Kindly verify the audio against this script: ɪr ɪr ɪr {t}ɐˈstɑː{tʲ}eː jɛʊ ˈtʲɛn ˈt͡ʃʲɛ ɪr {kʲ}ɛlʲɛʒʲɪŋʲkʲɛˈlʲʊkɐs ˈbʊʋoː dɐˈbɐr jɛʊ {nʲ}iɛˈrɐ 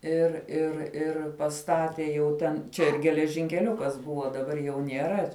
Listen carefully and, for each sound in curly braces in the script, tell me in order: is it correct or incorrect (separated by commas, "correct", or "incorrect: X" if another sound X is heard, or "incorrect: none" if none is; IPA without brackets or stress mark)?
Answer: incorrect: p, correct, incorrect: ɡʲ, correct